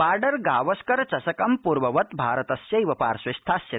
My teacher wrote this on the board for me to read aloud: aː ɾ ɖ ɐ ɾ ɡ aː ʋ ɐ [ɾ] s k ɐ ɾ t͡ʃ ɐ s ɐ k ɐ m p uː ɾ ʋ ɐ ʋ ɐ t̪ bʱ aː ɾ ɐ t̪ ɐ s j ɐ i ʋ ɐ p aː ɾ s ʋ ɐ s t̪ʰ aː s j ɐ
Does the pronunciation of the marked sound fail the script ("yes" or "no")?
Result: yes